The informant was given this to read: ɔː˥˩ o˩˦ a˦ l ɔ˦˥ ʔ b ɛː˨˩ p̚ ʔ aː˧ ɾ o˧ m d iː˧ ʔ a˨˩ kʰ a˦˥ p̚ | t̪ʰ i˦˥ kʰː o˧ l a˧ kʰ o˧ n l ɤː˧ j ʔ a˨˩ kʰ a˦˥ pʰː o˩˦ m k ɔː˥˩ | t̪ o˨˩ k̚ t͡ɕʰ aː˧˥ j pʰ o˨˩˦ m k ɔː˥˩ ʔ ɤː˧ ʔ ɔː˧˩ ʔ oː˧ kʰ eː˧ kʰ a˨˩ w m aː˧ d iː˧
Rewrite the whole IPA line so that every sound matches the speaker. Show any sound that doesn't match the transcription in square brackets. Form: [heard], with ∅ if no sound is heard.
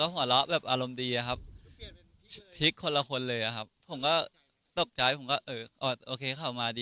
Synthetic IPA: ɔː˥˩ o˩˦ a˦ l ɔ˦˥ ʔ b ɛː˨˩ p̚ ʔ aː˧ ɾ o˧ m d iː˧ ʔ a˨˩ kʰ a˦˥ p̚ | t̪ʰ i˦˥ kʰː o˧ l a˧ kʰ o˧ n l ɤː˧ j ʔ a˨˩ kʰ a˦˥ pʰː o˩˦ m k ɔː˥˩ | t̪ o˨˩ k̚ [t͡ɕ] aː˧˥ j pʰ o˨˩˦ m k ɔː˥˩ ʔ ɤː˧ ʔ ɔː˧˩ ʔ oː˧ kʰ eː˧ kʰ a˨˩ w m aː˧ d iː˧